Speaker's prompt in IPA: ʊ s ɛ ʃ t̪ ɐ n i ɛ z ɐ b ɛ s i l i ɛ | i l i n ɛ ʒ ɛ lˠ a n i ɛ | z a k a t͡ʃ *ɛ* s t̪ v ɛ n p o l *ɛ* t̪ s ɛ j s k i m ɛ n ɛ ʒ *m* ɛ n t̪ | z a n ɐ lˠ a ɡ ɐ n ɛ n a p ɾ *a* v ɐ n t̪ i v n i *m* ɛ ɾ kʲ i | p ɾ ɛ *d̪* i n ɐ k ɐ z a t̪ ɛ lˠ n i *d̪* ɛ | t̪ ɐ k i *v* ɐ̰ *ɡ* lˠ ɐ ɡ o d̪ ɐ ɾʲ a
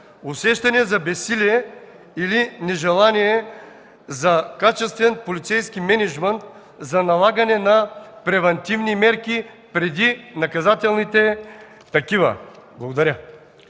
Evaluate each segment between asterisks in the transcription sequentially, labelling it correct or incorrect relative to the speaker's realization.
correct, incorrect: i, correct, incorrect: ɛ, correct, correct, incorrect: t̪, correct, incorrect: b

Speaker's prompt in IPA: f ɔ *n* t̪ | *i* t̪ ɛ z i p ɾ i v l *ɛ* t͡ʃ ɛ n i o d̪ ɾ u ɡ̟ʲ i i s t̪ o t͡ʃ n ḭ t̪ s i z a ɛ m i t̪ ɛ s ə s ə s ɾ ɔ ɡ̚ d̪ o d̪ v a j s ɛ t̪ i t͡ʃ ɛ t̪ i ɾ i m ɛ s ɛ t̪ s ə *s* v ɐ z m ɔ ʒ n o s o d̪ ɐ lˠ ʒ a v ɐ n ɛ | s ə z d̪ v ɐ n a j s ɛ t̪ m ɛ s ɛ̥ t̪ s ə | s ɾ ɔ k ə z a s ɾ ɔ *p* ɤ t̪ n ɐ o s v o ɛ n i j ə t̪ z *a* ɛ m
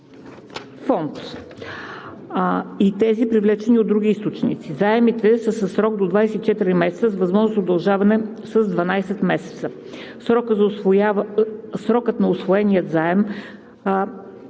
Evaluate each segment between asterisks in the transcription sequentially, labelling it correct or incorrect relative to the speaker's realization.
correct, correct, correct, incorrect: z, incorrect: k, correct

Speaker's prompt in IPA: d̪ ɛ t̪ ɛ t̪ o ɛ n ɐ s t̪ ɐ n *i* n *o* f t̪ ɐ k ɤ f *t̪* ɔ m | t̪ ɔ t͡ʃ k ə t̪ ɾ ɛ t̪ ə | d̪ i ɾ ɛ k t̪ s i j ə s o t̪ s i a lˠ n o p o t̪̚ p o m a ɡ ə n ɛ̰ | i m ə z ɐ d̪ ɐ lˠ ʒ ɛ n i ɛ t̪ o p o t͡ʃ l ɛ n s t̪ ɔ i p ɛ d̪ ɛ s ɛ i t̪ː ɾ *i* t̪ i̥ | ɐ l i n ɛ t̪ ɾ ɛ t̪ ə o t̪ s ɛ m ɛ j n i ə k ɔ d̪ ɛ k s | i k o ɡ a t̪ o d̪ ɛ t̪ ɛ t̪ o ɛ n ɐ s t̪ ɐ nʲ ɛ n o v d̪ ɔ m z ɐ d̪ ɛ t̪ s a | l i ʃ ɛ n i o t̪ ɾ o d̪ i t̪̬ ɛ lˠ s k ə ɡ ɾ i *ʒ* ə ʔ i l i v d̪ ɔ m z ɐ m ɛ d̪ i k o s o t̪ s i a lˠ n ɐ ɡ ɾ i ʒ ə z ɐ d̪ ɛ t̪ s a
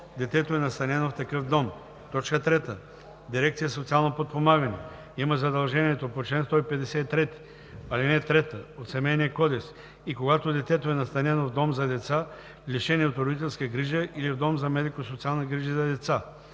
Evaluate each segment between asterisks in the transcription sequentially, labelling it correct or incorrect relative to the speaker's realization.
incorrect: ɛ, correct, incorrect: d̪, incorrect: ɛ, correct

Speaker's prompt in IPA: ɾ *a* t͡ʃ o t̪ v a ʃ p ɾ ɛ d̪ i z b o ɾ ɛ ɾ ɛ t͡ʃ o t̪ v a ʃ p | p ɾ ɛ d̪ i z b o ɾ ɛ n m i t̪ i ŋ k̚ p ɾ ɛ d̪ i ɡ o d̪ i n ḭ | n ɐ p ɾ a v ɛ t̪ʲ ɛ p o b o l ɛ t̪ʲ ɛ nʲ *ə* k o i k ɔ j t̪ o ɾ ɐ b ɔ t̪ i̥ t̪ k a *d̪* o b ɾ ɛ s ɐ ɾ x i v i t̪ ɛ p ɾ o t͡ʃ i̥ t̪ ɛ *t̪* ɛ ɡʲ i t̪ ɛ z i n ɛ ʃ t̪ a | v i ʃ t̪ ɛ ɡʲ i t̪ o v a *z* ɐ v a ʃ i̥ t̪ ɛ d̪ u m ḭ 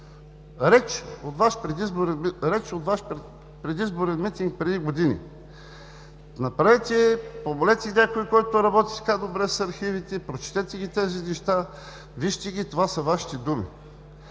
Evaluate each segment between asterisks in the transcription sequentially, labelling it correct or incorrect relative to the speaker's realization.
incorrect: ɛ, incorrect: a, correct, correct, incorrect: s

